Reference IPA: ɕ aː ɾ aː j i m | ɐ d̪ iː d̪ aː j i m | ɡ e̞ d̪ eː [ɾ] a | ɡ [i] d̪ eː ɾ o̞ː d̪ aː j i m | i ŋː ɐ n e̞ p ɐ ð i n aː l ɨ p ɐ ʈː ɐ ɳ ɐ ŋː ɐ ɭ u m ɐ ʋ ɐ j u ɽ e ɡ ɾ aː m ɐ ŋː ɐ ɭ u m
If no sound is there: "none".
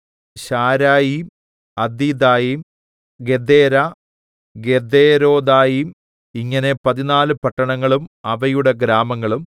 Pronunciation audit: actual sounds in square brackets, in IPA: ɾ, e

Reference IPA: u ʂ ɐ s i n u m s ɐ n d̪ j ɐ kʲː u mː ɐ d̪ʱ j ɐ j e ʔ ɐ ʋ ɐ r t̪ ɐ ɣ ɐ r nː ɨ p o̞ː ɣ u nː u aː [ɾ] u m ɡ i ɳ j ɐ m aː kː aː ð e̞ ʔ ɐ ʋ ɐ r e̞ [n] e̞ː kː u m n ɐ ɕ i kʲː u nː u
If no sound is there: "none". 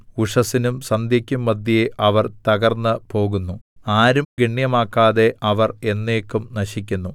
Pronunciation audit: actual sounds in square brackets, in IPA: ɾ, nː

